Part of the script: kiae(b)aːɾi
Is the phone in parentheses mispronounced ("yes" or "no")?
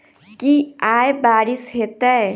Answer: no